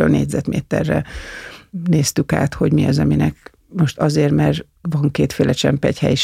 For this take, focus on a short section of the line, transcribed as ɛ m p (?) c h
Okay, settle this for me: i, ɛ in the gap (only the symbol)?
ɛ